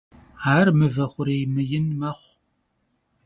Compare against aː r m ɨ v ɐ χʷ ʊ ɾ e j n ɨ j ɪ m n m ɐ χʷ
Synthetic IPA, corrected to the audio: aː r m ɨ v ɐ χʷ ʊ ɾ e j m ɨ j ɪ n m ɐ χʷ